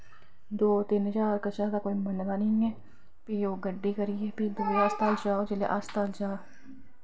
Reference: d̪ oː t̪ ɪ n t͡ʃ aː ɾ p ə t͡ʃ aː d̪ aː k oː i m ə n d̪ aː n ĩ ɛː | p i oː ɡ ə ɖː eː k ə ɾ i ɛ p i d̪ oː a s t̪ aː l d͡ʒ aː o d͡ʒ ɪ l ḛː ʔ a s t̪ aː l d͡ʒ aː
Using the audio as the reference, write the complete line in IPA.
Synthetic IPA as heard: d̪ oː t̪ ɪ n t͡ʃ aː ɾ k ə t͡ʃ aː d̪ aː k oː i m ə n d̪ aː n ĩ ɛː | p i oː ɡ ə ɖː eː k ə ɾ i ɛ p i d̪ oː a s t̪ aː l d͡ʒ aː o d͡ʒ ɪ l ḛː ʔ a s t̪ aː l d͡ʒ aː